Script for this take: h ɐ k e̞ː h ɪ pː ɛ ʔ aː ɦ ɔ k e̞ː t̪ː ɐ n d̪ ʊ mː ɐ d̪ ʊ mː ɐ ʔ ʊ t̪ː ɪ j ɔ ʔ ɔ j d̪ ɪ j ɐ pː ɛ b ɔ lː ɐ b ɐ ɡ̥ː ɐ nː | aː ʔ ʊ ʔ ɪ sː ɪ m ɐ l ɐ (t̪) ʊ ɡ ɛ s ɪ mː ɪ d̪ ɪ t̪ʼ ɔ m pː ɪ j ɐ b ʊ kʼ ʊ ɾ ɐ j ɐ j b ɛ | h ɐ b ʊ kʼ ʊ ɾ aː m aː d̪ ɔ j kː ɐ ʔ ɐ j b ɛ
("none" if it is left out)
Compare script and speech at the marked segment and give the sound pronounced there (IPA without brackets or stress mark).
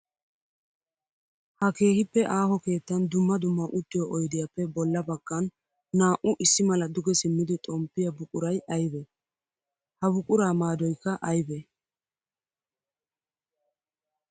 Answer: d̪